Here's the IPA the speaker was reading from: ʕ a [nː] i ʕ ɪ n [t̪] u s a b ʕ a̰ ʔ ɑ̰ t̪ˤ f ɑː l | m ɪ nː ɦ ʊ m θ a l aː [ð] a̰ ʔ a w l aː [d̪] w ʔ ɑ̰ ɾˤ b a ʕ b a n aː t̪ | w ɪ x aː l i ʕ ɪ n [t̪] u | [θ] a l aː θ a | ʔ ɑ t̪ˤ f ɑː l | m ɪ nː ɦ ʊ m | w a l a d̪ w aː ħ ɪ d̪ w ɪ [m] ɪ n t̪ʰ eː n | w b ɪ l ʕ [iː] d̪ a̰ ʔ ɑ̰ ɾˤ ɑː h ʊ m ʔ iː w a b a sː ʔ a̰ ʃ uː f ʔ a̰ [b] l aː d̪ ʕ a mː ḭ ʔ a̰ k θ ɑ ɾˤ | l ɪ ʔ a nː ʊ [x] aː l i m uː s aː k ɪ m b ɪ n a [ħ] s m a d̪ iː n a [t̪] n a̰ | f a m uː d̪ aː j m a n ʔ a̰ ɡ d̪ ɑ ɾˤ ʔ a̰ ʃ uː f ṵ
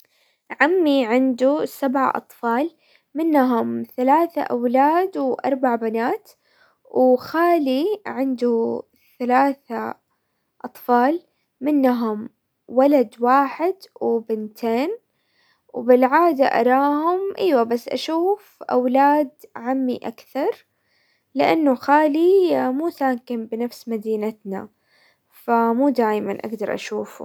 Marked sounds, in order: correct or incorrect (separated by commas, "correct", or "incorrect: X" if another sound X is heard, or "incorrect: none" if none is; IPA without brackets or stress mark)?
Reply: incorrect: mː, incorrect: d̪, incorrect: θ, correct, incorrect: d̪, correct, incorrect: b, incorrect: aː, incorrect: w, correct, incorrect: f, correct